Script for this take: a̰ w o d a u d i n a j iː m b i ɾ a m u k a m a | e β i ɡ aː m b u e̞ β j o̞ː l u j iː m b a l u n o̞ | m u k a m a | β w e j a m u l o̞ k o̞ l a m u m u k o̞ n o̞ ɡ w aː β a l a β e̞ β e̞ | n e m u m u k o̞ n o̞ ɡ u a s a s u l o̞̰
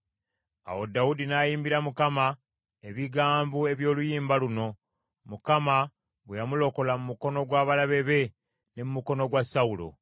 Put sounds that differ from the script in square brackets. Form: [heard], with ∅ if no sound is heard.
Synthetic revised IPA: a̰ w o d a u d i n a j iː m b i ɾ a m u k a m a | e β i ɡ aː m b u e̞ β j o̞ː l u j iː m b a l u n o̞ | m u k a m a | β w e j a m u l o̞ k o̞ l a m u m u k o̞ n o̞ ɡ w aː β a l a β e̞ β e̞ | n e m u m u k o̞ n o̞ ɡ [w] a s a [∅] u l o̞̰